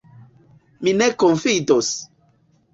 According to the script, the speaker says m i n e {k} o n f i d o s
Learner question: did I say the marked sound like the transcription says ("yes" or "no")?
yes